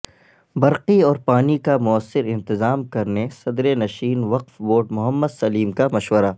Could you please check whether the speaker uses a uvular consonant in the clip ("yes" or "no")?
yes